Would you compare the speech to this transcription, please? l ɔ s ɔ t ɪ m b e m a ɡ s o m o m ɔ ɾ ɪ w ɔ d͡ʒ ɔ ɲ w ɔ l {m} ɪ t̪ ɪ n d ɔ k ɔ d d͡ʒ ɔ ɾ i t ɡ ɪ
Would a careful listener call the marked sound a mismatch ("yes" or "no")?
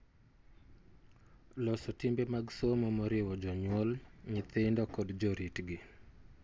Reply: yes